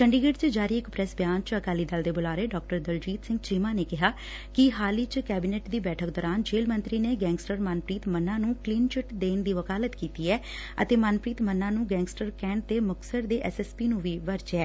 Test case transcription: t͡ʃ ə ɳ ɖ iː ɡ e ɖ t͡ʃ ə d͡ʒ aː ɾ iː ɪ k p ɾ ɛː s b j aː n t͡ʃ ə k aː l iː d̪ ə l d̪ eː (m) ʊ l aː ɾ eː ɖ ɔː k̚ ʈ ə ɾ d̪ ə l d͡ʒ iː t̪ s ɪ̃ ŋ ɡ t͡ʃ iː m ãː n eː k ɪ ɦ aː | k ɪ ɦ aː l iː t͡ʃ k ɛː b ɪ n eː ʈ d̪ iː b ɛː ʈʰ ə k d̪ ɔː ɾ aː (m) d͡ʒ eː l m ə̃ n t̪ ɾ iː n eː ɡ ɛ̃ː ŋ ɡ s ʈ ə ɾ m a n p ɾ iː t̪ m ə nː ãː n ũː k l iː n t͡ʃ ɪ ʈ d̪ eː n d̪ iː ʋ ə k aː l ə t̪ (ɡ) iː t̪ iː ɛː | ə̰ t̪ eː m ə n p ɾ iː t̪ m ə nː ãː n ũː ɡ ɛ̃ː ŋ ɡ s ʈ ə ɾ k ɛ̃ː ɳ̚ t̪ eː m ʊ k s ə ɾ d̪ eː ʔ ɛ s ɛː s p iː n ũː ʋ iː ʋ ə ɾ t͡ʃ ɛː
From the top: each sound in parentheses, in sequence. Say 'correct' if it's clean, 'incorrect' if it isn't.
incorrect, incorrect, incorrect

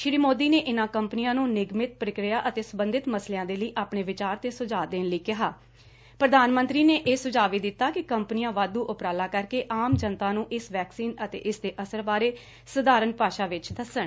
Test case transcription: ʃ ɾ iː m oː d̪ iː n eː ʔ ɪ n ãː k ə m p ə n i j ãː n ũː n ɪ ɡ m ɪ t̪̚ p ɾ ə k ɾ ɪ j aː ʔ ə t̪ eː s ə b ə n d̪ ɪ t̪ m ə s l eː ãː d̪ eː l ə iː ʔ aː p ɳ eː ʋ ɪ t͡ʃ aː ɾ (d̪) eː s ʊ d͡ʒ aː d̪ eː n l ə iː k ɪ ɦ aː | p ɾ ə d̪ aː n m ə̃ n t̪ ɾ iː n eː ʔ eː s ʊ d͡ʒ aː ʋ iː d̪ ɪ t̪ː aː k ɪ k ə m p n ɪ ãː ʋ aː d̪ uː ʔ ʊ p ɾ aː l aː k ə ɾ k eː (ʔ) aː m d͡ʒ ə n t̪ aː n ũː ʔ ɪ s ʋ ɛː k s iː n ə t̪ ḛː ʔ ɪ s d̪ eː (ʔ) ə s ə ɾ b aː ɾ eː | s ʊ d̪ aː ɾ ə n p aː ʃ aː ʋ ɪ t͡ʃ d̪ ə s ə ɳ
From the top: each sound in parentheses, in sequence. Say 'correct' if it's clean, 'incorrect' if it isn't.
incorrect, correct, correct

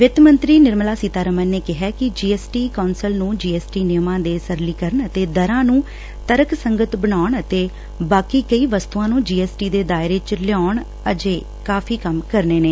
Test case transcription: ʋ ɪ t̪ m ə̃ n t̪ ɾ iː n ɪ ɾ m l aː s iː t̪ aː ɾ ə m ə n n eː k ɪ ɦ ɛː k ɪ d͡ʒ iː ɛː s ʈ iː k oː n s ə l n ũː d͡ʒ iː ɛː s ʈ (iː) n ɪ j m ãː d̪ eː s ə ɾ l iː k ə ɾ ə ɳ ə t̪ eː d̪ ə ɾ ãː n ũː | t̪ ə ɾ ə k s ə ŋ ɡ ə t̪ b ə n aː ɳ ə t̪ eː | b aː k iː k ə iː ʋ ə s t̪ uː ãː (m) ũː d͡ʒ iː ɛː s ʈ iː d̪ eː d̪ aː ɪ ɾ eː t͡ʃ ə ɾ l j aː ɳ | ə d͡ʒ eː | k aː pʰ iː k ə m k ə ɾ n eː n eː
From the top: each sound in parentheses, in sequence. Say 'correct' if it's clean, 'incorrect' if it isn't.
correct, incorrect

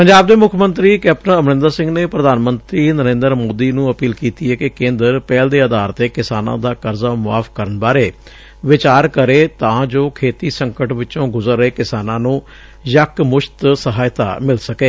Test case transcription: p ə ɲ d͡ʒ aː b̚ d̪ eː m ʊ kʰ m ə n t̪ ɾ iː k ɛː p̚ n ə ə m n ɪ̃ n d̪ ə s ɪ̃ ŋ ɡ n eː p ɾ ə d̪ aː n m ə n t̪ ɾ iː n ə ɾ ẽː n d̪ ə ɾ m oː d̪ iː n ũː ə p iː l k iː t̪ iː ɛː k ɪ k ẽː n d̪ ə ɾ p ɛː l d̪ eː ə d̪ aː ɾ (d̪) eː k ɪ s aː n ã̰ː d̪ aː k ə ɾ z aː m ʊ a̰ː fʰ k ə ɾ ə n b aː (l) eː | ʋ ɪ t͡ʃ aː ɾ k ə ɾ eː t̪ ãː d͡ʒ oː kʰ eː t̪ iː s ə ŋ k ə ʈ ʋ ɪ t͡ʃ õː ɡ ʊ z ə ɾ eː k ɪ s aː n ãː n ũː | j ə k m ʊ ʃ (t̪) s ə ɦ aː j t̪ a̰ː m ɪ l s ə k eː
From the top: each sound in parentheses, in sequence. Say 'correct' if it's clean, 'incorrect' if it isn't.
incorrect, incorrect, correct

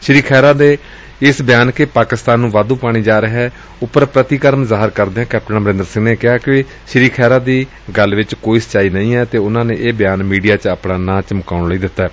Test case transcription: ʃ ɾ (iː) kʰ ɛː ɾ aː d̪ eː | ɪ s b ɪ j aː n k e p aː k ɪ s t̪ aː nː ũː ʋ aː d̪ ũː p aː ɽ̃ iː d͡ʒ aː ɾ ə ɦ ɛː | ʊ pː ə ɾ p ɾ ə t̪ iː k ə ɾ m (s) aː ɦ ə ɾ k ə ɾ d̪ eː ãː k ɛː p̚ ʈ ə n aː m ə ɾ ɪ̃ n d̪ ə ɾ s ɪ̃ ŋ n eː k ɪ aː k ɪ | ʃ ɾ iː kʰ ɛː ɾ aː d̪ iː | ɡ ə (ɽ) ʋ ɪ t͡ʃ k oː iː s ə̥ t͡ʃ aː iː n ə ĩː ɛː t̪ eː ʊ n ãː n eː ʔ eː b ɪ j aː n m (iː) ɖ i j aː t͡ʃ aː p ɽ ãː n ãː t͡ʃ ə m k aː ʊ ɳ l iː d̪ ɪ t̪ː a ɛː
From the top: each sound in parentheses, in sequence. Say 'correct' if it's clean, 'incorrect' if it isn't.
correct, incorrect, incorrect, correct

